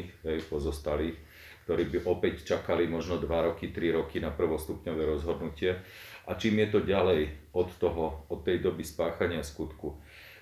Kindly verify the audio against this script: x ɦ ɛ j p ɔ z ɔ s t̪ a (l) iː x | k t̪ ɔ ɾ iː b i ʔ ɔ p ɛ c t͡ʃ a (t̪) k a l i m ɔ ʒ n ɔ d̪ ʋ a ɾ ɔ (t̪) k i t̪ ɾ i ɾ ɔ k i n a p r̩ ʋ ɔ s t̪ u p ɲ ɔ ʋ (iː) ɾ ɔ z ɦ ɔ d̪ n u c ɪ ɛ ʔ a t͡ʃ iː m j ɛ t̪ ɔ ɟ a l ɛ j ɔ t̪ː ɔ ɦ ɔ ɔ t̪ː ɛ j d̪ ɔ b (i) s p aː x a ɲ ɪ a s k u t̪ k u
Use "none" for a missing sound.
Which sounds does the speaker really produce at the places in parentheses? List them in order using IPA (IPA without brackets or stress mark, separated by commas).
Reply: l, none, none, ɛː, i